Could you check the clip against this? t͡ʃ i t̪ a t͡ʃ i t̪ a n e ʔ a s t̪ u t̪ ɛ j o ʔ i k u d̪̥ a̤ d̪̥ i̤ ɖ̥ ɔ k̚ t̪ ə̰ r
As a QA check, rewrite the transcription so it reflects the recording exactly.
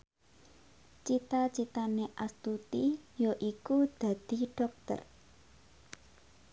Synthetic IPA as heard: t͡ʃ i t̪ a t͡ʃ i t̪ a n e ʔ a s t̪ u t̪ i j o ʔ i k u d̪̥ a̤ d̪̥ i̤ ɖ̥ ɔ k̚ t̪ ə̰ r